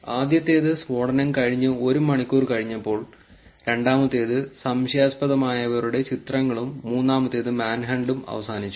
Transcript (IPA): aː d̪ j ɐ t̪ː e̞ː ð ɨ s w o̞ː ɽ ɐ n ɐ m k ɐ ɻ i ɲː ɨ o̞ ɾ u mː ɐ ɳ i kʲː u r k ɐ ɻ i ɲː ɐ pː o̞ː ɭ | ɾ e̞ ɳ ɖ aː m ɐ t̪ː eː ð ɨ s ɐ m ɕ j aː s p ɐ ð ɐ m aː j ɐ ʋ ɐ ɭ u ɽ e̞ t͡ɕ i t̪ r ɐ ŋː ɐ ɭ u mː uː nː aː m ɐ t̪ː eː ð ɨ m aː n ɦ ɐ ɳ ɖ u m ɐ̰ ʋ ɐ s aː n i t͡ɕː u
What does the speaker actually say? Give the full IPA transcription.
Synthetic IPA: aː d̪ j ɐ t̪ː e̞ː ð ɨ s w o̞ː ɽ ɐ n ɐ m k ɐ ɻ i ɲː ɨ o̞ ɾ u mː ɐ ɳ i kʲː uː r k ɐ ɻ i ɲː ɐ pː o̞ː ɭ | ɾ e̞ ɳ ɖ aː m ɐ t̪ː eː ð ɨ s ɐ m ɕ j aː s p ɐ ð ɐ m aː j ɐ ʋ ɐ ɾ u ɽ e̞ t͡ɕ i t̪ r ɐ ŋː ɐ ɭ u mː uː nː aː m ɐ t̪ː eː ð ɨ m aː n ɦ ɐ ɳ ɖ u m ɐ̰ ʋ ɐ s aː n i t͡ɕː u

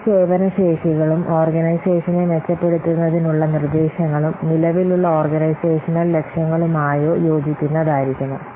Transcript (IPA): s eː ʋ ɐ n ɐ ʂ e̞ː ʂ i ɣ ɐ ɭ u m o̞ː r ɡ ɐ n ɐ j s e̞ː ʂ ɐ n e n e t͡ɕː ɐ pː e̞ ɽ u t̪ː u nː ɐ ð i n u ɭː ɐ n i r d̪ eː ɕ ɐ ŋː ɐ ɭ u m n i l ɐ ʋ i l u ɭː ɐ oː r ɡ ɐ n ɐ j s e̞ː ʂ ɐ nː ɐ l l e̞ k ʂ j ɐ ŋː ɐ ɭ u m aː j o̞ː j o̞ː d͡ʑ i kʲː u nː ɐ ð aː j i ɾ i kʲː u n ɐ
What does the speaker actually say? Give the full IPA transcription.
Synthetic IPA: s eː ʋ ɐ n ɐ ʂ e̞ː ʂ i ɣ ɐ ɭ u m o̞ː r ɡ ɐ n ɐ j s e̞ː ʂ ɐ n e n e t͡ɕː ɐ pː e̞ ɽ u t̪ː u nː ɐ ð i n u ɭː ɐ n i r d̪ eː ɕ ɐ ŋː ɐ ɭ u m n i l ɐ ʋ i l u ɭː ɐ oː r ɡ ɐ n ɐ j s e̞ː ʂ ɐ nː ɐ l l e̞ k ʂ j ɐ ŋː ɐ ɭ u m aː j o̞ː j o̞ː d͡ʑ i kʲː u nː ɐ ð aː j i ɾ i kʲː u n ɐ

